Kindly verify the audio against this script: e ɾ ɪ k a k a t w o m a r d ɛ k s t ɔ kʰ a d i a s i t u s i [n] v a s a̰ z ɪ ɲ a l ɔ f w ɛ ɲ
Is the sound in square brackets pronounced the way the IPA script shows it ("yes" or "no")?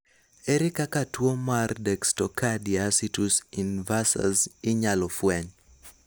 yes